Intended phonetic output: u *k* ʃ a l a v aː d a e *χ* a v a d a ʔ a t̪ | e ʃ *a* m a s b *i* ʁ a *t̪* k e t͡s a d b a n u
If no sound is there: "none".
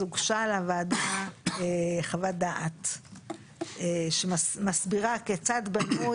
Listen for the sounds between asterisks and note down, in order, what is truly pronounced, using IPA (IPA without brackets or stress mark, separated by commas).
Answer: ɡ, χ, e, i, none